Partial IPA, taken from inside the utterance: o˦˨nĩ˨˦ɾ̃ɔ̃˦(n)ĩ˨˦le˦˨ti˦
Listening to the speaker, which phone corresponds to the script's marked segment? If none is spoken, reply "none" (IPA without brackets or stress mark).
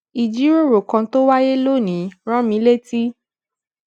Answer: m